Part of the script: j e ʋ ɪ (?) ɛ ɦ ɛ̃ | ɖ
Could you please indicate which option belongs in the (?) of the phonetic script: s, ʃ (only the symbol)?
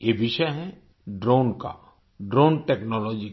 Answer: ʃ